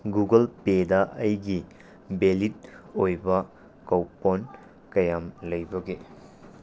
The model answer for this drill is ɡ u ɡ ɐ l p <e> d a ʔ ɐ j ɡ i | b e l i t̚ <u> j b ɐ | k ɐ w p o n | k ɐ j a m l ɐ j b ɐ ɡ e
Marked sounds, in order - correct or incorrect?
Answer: correct, incorrect

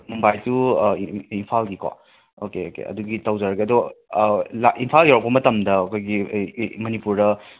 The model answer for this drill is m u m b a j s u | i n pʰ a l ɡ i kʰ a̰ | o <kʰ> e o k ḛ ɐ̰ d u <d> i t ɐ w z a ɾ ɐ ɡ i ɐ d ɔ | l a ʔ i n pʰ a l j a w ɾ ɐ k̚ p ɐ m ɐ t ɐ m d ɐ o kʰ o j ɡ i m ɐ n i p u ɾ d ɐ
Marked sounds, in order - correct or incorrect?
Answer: incorrect, incorrect

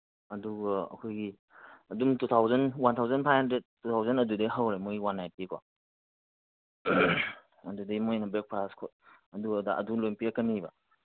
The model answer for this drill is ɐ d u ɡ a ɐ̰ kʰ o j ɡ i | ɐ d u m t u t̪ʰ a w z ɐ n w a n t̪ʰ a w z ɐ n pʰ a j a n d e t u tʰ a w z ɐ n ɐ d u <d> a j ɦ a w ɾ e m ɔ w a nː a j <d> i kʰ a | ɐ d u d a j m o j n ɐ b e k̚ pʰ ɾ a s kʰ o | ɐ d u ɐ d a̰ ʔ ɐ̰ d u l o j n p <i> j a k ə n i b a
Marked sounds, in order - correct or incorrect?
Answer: correct, incorrect, correct

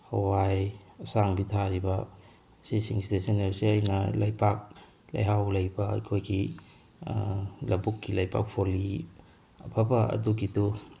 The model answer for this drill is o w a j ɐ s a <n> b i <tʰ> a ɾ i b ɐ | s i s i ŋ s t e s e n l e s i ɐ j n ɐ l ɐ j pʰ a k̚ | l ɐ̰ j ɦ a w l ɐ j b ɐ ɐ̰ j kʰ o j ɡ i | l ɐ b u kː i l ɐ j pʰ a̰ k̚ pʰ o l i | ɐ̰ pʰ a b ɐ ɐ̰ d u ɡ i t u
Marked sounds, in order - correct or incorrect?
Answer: incorrect, correct

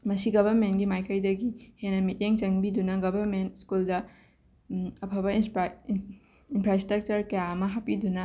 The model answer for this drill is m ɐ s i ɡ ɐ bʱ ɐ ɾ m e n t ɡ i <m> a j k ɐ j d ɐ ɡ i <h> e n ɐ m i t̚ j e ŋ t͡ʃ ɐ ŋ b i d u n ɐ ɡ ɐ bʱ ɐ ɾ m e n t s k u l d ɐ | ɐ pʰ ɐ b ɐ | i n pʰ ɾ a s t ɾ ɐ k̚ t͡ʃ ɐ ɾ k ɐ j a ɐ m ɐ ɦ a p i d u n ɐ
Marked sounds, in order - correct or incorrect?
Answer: correct, correct

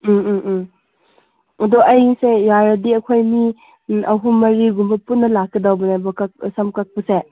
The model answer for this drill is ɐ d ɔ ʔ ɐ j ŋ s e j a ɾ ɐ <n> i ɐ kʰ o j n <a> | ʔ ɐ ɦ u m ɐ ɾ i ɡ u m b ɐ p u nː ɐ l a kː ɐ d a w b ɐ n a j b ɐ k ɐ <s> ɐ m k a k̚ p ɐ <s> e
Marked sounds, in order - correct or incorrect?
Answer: incorrect, incorrect, correct, correct

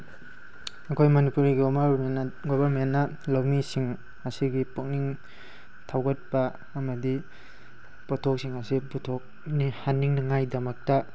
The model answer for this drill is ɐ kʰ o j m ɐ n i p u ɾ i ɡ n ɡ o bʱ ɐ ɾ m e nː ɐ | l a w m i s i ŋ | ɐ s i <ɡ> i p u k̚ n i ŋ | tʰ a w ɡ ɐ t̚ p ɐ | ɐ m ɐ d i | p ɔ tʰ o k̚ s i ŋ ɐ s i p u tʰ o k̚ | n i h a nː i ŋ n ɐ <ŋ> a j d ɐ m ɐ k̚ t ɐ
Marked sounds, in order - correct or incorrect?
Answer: correct, correct

